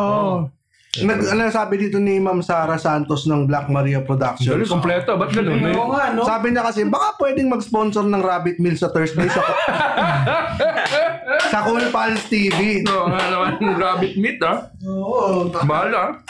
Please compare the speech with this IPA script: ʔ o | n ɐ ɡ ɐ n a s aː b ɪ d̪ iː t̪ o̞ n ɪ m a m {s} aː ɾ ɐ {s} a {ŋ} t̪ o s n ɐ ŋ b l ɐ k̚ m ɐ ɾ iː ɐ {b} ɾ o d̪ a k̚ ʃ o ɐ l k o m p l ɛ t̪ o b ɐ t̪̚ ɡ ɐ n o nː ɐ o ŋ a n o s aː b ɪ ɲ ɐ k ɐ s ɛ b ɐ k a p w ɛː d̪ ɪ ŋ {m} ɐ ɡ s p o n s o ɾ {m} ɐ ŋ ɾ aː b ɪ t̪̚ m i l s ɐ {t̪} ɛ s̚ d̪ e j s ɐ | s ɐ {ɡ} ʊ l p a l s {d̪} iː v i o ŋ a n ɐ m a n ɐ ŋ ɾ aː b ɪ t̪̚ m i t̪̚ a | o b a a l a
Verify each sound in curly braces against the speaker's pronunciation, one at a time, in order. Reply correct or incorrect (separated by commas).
correct, correct, incorrect, incorrect, correct, incorrect, correct, incorrect, incorrect